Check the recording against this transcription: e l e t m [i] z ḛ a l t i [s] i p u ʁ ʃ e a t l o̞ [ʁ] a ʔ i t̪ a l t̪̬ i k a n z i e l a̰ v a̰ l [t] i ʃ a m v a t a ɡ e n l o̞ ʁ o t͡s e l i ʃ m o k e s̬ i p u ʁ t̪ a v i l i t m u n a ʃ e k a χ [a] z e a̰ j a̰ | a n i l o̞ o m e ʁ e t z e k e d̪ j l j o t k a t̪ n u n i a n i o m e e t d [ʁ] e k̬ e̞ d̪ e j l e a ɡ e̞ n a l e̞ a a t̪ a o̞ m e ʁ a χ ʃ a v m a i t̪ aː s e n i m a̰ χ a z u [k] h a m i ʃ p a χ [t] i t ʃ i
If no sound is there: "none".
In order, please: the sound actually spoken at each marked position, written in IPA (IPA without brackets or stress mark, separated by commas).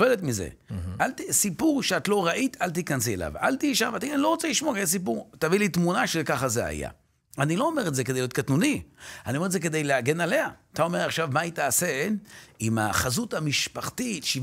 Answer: i, s, ʁ, t, a, z, t, t